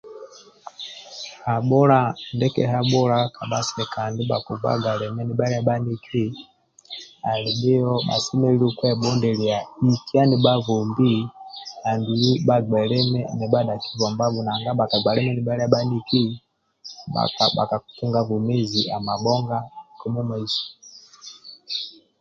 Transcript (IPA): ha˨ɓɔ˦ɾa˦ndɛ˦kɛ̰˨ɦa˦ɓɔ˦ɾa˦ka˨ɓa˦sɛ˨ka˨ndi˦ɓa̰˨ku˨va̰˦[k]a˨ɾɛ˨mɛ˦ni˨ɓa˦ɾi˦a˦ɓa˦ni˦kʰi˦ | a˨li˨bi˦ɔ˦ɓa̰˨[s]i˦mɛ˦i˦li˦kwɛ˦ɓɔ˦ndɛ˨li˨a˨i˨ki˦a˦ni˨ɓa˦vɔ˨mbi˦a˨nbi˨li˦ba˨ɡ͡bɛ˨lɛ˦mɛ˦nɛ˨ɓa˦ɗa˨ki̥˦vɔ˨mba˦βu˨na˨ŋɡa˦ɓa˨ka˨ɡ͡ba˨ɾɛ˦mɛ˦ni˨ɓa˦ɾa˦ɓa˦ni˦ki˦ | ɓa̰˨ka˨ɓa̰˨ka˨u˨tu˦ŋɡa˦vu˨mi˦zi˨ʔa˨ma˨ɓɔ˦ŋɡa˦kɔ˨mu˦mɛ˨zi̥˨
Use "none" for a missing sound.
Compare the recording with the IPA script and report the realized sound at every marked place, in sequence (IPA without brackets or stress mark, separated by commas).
ɡ, s